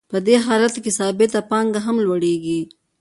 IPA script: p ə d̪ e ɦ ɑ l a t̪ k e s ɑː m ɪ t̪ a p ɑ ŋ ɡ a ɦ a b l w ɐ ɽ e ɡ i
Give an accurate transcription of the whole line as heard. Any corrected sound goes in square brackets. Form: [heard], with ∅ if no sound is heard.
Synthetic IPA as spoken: p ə d̪ e ɦ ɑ l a t̪ k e s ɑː [b] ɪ t̪ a p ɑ ŋ ɡ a ɦ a [m] l w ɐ ɽ e ɡ i